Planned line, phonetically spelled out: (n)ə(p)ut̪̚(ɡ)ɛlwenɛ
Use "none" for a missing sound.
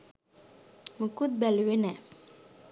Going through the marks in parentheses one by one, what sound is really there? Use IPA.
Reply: m, k, b

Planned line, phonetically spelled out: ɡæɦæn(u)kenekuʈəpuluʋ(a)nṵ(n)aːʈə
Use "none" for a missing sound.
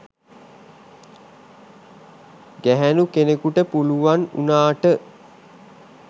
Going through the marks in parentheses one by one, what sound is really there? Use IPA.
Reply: u, a, n

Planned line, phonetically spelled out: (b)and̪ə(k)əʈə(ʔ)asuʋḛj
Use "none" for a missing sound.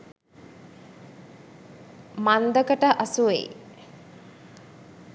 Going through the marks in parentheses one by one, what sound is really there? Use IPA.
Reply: m, k, ʔ

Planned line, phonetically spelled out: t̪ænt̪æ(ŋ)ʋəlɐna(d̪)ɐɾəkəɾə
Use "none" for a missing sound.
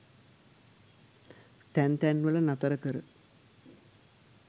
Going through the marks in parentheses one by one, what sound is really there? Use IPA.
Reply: n, t̪

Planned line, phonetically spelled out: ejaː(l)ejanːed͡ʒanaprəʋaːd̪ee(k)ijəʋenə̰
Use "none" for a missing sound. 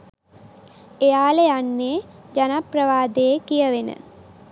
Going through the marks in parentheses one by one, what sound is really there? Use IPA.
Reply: l, k

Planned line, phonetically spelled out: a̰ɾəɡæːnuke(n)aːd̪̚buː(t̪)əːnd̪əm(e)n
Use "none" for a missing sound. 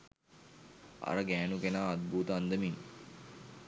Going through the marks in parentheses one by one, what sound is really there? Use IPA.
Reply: n, t̪, i

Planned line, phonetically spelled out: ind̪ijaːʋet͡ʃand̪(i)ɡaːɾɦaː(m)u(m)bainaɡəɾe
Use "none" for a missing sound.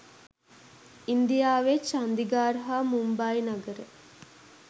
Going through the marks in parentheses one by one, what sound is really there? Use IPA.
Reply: i, m, m

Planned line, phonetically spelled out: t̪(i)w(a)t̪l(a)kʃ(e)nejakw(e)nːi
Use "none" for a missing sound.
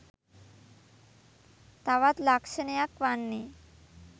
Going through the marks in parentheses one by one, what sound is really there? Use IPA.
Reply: a, a, a, e, a

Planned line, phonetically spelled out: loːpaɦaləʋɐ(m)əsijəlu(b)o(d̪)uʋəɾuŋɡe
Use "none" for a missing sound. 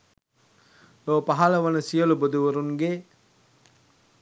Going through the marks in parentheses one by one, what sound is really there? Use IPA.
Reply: n, b, d̪

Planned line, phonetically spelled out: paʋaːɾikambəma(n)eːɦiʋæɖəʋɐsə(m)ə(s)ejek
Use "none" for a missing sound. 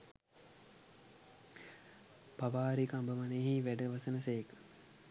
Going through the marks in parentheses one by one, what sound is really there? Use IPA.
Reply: n, n, s

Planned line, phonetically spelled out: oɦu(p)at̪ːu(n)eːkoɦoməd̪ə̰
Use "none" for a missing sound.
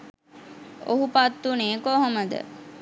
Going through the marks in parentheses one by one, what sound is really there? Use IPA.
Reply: p, n

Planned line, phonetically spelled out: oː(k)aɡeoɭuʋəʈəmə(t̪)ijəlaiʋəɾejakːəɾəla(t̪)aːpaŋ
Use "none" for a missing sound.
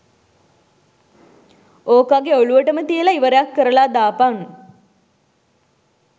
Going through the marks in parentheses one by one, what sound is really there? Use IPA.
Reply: k, t̪, d̪

